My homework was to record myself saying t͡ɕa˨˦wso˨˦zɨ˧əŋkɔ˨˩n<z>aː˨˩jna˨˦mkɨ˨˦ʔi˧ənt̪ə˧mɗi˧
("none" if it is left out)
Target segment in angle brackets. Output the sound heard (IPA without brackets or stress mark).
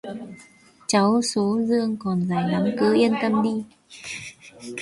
z